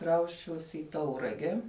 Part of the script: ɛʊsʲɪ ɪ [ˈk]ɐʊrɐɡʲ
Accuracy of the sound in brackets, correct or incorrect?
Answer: incorrect: t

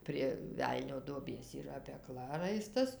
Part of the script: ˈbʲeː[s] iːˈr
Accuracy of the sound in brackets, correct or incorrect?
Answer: correct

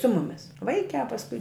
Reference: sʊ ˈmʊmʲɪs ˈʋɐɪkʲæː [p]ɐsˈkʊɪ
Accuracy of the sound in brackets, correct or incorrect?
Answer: correct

